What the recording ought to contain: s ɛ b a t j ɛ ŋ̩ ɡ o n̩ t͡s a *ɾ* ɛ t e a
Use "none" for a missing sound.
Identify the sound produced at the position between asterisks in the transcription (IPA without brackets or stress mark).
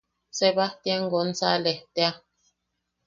l